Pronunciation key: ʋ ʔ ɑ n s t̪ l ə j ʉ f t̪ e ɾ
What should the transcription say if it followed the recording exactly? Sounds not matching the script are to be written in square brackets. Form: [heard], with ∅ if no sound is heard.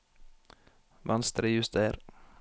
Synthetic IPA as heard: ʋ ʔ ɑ n s t̪ [ɾ] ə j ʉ [s] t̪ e ɾ